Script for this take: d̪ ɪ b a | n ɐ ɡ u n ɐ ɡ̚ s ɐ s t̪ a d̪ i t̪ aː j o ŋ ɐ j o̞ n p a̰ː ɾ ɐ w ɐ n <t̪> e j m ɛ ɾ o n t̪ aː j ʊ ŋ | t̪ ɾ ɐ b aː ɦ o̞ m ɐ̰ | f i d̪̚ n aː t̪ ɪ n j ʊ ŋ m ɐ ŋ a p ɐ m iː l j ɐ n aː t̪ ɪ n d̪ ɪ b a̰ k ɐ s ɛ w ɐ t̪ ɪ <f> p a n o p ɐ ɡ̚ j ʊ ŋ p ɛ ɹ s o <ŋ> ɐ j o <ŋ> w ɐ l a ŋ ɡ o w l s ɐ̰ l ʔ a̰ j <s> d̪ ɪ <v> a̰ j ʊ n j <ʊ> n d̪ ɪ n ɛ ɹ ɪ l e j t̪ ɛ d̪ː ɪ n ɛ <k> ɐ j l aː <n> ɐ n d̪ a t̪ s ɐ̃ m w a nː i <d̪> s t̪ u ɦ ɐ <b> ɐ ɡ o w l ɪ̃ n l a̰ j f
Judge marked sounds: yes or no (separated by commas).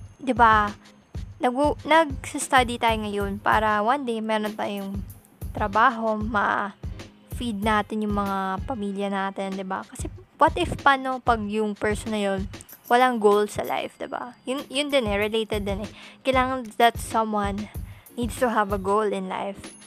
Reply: no, yes, no, no, no, no, yes, yes, no, yes, no